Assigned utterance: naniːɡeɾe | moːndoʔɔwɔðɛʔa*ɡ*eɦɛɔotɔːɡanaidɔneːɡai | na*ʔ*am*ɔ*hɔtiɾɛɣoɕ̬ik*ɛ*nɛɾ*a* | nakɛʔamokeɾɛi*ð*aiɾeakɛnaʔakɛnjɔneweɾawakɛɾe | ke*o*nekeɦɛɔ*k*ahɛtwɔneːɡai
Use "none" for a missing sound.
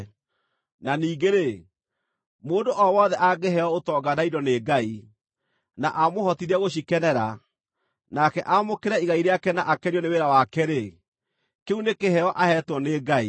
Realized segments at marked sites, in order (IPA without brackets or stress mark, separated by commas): ɡ, ʔ, o, ɛ, a, ɣ, u, ʔ